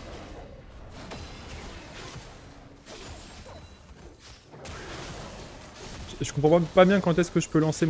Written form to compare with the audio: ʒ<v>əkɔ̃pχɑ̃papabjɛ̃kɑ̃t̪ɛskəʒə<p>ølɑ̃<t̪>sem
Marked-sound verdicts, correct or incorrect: incorrect, correct, incorrect

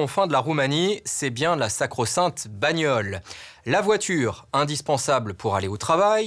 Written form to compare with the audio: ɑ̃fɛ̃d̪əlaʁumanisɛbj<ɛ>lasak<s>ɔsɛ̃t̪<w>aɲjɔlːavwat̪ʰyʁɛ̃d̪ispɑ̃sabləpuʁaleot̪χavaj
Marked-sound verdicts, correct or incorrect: incorrect, incorrect, incorrect

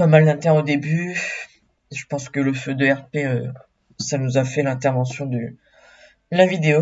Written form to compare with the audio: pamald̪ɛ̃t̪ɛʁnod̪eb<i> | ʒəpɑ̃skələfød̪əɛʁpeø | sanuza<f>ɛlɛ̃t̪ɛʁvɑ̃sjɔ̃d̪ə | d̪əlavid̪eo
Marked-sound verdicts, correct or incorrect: incorrect, correct

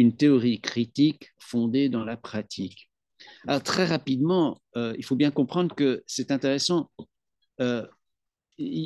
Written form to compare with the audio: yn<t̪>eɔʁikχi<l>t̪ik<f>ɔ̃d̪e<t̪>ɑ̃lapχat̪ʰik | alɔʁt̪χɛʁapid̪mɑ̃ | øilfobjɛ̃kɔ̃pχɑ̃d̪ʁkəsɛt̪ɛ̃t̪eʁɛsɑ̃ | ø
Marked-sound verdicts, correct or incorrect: correct, incorrect, correct, incorrect

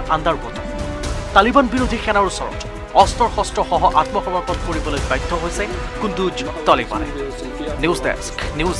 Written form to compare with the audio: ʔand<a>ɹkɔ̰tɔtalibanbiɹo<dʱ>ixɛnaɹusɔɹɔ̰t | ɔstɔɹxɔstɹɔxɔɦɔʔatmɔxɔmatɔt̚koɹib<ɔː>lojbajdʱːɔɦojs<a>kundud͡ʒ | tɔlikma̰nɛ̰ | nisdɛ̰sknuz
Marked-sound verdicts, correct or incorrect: correct, correct, incorrect, incorrect

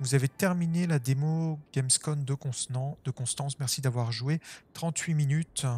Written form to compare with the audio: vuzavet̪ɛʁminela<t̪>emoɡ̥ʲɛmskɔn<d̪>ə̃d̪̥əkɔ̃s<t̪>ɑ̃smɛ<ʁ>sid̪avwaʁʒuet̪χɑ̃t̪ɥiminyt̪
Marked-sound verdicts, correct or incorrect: incorrect, correct, correct, correct

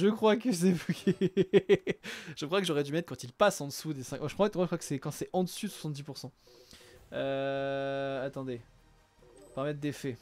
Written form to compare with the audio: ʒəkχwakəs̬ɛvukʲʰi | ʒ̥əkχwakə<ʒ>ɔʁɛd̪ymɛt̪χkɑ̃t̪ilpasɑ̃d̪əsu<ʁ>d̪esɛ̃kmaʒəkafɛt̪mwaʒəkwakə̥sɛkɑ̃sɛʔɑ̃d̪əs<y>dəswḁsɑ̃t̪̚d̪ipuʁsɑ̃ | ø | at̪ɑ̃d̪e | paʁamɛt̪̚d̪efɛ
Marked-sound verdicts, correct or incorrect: correct, incorrect, correct

